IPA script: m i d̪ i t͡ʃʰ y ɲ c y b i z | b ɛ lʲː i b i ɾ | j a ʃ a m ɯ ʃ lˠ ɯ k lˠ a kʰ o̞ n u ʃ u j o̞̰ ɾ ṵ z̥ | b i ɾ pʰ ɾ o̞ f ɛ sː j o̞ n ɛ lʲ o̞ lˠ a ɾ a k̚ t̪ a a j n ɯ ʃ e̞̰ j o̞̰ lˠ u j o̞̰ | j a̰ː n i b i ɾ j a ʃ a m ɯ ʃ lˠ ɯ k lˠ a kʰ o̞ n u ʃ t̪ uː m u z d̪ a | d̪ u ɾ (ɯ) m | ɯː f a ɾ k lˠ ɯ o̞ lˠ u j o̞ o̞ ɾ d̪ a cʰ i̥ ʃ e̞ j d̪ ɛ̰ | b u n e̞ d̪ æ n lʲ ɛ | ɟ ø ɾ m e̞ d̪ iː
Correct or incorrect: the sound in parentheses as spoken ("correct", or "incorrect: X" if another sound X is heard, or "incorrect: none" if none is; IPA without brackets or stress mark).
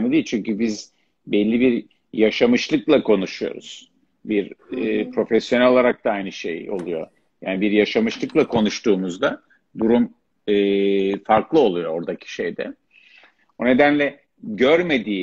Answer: incorrect: u